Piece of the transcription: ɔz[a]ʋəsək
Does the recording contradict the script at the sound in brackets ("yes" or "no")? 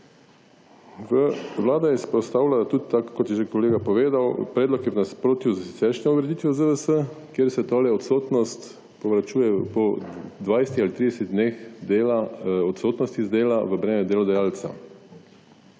yes